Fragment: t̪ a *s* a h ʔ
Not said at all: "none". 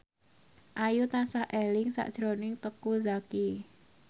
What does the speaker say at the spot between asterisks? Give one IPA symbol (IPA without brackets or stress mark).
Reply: s